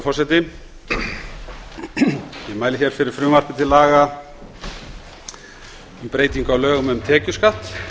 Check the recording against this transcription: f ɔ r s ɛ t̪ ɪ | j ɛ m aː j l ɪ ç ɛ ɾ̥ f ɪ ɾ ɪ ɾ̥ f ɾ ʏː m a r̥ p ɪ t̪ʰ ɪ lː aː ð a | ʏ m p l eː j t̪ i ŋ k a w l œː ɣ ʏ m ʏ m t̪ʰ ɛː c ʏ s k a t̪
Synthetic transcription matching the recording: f ɔ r s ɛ t̪ ɪ | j ɛ m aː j l ɪ ç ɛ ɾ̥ f ɪ ɾ ɪ ɾ̥ f ɾ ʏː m a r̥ p ɪ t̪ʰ ɪ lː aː ɣ a | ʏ m p ɾ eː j t̪ i ŋ k a w l œː ɣ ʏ m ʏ m t̪ʰ ɛː c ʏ s k a t̪